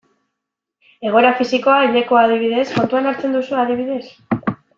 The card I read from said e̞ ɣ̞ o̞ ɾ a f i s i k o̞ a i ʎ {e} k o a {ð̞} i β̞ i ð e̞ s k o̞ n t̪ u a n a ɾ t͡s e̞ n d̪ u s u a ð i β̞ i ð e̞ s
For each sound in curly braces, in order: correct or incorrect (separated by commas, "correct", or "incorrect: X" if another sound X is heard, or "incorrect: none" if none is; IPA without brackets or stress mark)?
correct, correct